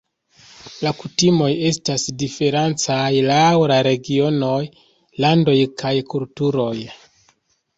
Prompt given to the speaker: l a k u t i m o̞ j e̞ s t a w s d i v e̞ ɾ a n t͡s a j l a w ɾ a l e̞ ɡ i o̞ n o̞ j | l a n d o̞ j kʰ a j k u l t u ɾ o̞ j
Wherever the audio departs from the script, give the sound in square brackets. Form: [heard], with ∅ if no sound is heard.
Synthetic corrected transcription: l a k u t i m o̞ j e̞ s t a [∅] s d i [f] e̞ ɾ a n t͡s a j l a w ɾ a [ɾ] e̞ ɡ i o̞ n o̞ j | l a n d o̞ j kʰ a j k u l t u ɾ o̞ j